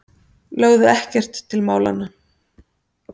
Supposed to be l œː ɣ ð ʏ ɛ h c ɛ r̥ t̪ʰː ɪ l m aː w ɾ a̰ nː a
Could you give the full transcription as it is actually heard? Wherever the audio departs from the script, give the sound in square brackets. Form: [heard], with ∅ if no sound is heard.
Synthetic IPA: l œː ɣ ð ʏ ɛ h c ɛ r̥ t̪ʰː ɪ l m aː w [l] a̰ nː a